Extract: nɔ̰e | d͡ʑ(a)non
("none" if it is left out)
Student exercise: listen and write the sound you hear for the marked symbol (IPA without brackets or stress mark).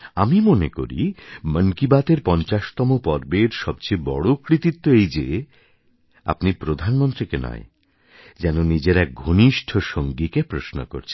ɛ